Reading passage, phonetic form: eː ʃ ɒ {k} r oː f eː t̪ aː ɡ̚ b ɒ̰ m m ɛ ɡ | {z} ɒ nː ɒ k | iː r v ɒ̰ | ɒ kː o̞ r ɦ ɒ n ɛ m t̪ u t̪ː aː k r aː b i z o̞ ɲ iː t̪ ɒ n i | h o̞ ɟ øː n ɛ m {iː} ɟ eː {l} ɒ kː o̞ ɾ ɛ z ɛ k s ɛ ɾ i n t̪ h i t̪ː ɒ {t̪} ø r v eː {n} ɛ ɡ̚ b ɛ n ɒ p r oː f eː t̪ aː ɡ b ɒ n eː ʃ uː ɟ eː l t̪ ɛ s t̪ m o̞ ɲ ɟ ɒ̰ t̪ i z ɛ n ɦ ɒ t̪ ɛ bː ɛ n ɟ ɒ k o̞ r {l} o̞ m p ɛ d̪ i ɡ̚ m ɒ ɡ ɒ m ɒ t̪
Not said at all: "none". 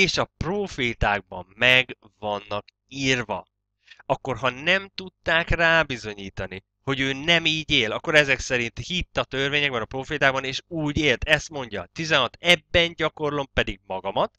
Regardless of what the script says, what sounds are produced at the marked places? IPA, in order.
p, v, iː, l, t̪, ɲ, l

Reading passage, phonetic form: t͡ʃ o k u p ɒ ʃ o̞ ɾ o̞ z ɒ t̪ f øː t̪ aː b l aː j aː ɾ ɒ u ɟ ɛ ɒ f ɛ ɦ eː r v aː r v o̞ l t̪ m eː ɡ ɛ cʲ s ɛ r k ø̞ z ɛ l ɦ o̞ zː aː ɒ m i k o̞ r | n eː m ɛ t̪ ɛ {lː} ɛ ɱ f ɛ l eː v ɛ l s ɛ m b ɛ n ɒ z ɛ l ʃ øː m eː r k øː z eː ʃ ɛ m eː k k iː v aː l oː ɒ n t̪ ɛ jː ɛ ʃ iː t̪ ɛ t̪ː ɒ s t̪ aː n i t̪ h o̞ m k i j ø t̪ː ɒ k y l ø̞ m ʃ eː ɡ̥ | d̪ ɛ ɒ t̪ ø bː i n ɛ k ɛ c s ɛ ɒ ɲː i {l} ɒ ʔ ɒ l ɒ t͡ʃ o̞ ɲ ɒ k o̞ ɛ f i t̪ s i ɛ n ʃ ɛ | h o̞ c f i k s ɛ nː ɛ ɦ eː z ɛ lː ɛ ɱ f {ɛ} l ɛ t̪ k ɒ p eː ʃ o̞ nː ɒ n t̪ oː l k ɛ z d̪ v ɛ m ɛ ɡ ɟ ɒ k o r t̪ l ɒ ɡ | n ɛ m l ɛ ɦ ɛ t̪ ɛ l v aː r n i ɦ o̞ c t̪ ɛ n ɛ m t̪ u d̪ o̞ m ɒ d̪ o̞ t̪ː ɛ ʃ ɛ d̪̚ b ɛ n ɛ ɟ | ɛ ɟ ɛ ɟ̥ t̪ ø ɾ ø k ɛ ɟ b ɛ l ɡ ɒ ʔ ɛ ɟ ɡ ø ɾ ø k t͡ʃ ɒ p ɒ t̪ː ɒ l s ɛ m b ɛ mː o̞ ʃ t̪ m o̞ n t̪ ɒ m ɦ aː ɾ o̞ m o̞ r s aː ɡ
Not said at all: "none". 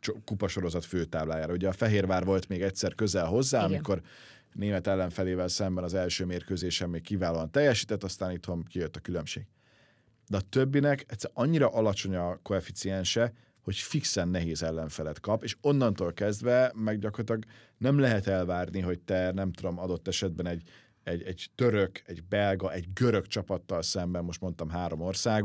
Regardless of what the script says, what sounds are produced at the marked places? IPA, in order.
lː, ɾ, ɛ

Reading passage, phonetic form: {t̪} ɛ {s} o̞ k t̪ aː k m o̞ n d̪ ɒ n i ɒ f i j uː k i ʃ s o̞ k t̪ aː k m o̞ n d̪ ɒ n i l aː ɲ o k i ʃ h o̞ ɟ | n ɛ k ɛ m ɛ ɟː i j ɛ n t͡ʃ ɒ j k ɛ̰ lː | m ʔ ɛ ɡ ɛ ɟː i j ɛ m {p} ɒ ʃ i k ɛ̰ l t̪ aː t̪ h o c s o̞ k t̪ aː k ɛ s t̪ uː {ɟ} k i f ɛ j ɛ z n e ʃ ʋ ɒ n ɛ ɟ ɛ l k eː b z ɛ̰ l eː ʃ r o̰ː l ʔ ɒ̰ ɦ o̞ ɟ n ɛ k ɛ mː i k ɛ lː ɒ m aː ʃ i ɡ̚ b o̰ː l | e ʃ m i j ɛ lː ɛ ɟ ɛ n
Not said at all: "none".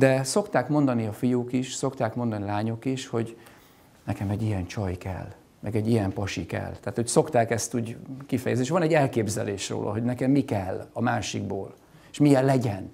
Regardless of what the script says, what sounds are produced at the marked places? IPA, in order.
d̪, s, p, ɟ

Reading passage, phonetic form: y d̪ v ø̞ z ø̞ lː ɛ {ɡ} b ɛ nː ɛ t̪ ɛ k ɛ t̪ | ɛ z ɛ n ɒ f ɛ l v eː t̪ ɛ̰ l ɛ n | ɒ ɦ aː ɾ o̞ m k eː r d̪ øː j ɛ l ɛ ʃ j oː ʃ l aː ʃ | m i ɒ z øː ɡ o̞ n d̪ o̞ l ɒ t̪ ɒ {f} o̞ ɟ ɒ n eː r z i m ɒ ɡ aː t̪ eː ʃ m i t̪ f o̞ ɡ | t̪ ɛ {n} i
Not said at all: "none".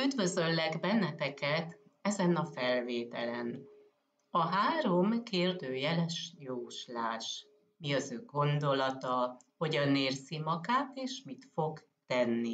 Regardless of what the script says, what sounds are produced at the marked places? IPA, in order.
ɡ, h, nː

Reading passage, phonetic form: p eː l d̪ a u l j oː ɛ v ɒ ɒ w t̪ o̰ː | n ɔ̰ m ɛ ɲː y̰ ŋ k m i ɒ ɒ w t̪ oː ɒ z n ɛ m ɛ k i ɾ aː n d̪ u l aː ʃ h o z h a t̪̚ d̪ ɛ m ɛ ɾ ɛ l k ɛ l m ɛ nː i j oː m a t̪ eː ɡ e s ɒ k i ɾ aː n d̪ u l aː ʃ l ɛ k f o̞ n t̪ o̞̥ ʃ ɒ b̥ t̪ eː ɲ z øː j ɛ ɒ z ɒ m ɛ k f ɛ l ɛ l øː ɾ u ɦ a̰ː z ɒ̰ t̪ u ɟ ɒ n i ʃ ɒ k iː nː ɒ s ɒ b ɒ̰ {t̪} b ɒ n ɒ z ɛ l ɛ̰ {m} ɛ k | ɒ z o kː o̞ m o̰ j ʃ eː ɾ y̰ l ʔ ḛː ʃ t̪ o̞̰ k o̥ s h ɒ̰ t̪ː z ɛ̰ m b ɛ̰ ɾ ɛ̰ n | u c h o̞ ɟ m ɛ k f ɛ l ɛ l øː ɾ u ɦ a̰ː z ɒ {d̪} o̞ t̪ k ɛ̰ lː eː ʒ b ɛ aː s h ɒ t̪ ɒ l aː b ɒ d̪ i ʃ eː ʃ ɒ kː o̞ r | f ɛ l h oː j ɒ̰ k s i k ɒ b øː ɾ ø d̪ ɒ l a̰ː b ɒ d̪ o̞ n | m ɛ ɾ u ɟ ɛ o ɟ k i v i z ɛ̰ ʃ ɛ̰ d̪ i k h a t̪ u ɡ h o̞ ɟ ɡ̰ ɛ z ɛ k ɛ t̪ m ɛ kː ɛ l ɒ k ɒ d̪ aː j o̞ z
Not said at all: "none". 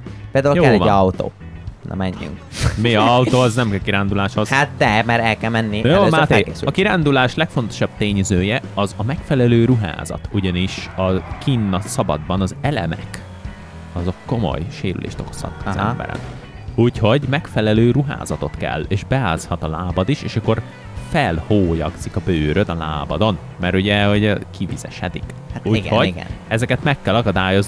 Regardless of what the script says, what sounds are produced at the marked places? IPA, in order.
d̪, m, t̪

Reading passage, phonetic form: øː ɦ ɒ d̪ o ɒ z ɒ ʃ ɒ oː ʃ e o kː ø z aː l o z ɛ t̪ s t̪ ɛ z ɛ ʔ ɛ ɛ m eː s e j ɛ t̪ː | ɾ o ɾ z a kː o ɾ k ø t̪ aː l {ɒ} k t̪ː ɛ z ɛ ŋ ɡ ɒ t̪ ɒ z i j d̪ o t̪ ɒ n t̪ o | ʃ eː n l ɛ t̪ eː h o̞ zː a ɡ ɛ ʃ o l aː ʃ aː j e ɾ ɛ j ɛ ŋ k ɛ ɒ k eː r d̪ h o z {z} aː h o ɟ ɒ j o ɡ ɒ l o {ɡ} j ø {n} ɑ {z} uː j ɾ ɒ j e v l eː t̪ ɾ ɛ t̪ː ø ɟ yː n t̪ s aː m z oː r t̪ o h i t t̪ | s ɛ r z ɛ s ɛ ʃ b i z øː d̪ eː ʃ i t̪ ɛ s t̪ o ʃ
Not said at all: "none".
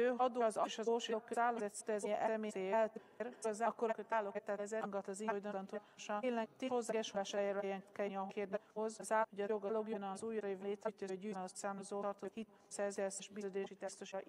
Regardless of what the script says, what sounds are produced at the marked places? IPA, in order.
o, z, ɡ, n, z

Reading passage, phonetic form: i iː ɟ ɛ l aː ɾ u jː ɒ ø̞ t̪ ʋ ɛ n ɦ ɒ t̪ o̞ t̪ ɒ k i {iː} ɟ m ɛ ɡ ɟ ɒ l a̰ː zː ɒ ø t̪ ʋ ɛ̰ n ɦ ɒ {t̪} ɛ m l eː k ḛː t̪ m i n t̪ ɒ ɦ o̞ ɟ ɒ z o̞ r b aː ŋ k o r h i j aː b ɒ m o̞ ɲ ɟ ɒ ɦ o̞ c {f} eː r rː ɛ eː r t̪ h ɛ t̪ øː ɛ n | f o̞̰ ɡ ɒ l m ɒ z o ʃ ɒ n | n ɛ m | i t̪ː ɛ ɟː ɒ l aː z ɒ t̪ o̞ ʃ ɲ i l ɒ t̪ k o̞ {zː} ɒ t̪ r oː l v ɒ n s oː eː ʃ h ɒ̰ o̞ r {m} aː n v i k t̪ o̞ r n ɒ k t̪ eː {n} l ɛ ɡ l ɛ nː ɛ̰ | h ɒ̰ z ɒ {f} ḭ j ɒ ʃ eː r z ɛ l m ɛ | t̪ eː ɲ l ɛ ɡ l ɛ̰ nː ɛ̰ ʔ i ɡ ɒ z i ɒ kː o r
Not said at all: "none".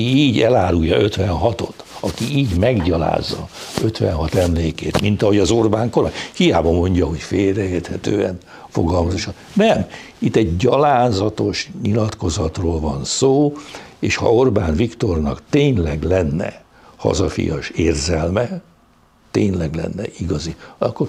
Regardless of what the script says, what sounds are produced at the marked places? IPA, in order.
iː, t̪, f, z, b, ɲ, f

